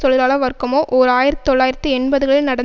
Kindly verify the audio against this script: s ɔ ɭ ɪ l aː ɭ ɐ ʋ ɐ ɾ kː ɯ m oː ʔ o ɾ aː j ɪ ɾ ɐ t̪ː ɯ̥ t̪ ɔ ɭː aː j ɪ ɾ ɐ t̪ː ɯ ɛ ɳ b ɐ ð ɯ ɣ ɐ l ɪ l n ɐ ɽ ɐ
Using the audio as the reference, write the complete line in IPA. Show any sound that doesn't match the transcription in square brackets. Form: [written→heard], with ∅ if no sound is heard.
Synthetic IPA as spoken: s ɔ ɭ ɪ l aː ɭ ɐ ʋ ɐ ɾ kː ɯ m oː ʔ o ɾ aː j ɪ ɾ ɐ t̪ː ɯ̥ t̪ ɔ ɭː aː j ɪ ɾ ɐ t̪ː ɯ ɛ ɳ b ɐ ð ɯ ɣ ɐ [l→ɭ] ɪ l n ɐ ɽ ɐ